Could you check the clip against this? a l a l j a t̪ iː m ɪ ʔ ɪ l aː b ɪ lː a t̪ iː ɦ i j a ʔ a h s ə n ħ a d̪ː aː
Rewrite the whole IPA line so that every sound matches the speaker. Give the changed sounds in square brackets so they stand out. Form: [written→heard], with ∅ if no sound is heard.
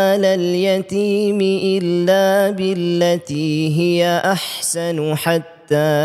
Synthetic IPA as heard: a l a l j a t̪ iː m ɪ ʔ ɪ [l→lː] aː b ɪ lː a t̪ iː ɦ [i→ɪ] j a ʔ a [h→ħ] s [ə→a] n ħ a [d̪ː→t̪ː] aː